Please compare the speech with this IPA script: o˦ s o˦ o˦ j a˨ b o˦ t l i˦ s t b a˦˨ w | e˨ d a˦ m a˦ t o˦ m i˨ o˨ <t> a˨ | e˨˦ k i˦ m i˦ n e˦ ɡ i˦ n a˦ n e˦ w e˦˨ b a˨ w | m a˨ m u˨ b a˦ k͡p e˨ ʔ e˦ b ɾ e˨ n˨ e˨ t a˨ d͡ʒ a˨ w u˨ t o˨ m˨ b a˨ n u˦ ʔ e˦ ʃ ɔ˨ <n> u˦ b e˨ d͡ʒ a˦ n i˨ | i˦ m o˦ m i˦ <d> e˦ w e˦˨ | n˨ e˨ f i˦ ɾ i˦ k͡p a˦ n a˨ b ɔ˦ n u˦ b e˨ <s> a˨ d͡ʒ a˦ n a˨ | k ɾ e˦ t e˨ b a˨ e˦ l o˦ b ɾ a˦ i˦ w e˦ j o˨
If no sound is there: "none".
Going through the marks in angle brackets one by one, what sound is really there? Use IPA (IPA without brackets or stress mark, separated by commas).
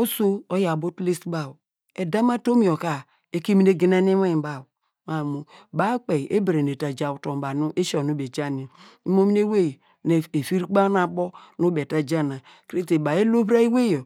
k, n, n, t